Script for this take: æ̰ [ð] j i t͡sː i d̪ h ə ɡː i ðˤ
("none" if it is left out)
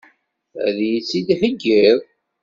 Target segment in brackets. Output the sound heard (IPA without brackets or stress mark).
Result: ð